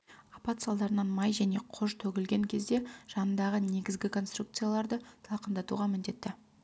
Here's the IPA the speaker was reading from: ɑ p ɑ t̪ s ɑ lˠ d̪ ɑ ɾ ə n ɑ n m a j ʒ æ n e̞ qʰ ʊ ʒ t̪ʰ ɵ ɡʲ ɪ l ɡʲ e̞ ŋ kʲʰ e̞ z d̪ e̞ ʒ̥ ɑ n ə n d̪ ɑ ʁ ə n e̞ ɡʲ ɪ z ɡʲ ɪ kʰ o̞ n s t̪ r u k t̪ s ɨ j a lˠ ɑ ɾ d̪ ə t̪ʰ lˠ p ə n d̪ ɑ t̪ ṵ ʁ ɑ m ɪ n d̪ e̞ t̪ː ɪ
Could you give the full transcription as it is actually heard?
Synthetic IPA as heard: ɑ p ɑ t̪ s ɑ lˠ d̪ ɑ ɾ ə n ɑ n m ɑ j ʒ æ n e̞ qʰ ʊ ʒ t̪ʰ ɵ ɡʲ ɪ l ɡʲ e̞ ŋ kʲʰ e̞ z d̪ e̞ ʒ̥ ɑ n ə n d̪ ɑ ʁ ə n e̞ ɡʲ ɪ z ɡʲ ɪ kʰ o̞ n s t̪ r u k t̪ s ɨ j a lˠ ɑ ɾ d̪ ə t̪ʰ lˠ q ə n d̪ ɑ t̪ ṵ ʁ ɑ m ɪ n d̪ e̞ t̪ː ɪ